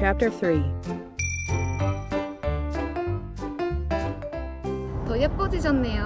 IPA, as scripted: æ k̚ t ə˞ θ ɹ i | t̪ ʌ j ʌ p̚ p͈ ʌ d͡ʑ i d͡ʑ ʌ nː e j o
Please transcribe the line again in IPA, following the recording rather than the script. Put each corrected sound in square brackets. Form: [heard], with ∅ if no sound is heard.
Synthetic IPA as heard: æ [p̚] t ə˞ θ ɹ i | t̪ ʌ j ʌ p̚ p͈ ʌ d͡ʑ i d͡ʑ ʌ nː e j o